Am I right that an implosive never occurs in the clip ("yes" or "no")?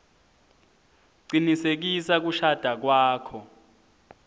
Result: yes